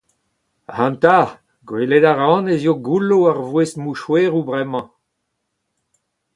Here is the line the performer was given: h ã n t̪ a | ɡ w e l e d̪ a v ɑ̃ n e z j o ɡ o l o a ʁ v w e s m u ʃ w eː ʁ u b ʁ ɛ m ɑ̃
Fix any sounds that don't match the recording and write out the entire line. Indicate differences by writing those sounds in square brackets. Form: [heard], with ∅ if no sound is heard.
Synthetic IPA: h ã n t̪ a | ɡ w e l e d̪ a [ʁ] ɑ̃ n e z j o ɡ [u] l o a ʁ v w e s m u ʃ w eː ʁ u b ʁ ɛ m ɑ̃